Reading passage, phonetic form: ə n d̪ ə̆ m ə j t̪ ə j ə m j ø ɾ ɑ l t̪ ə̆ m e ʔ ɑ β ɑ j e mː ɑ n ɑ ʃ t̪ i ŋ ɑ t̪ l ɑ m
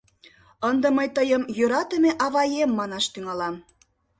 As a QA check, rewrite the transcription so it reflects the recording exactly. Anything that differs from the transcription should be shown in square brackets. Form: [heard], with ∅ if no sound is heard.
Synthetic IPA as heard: ə n d̪ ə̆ m ə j t̪ ə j ə m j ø ɾ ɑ [∅] t̪ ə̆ m e ʔ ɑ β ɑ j e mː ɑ n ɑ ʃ t̪ [y] ŋ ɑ [∅] l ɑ m